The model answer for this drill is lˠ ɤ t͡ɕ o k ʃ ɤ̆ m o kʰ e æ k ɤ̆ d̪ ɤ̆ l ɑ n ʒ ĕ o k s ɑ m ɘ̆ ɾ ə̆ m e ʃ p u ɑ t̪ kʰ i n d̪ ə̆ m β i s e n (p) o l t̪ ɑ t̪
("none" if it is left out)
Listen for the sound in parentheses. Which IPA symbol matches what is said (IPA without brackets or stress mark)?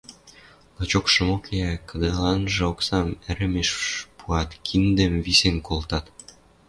k